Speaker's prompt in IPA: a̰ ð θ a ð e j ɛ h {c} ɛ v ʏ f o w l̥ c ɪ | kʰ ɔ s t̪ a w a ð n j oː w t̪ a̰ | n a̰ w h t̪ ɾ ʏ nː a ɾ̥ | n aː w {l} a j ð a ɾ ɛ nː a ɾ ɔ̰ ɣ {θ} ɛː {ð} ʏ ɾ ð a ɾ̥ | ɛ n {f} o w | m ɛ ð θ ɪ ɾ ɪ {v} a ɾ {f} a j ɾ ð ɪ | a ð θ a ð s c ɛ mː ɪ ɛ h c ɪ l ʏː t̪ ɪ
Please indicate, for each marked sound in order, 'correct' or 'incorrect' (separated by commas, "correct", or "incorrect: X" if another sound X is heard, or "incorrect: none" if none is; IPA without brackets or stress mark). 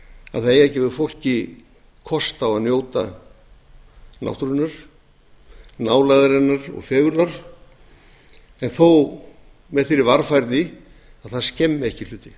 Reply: correct, correct, incorrect: f, incorrect: ɣ, incorrect: θ, correct, correct